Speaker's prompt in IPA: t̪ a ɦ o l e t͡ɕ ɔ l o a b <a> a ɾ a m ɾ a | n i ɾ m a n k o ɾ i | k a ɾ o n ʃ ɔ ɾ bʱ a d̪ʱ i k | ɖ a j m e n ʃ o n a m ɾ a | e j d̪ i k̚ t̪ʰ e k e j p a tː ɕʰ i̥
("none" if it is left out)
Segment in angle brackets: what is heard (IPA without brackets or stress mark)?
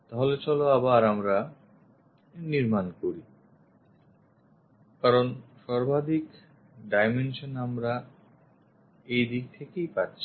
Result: a